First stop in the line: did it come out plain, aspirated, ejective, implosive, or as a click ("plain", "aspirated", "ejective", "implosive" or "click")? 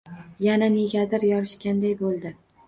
plain